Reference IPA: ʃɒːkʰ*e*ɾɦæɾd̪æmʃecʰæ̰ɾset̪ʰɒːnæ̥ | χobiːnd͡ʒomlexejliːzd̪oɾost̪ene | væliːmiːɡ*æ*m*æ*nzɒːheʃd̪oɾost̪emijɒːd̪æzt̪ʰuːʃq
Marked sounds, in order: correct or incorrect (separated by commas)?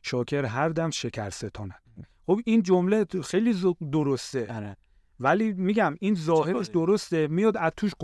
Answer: correct, correct, incorrect